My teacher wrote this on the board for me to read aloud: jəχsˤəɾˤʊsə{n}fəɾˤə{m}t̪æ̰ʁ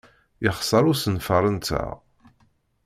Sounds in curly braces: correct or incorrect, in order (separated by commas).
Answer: correct, incorrect